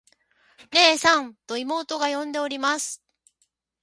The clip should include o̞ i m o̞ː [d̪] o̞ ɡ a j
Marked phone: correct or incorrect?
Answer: incorrect